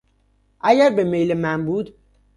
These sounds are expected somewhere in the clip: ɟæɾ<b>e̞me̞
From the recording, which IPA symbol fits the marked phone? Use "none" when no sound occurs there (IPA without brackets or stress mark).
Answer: b